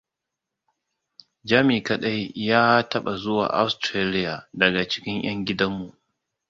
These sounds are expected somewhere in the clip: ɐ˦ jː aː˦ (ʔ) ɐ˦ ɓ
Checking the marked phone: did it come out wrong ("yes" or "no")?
yes